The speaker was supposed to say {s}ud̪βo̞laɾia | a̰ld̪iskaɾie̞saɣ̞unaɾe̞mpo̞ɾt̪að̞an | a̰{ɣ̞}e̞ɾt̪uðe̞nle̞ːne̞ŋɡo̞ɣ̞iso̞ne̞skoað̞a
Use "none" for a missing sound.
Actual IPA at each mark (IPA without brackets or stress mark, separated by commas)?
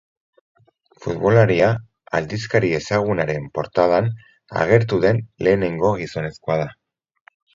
f, ɣ̞